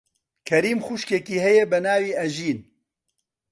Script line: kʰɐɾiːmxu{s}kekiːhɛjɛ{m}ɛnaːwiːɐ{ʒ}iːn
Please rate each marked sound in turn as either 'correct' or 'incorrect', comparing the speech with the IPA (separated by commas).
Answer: incorrect, incorrect, correct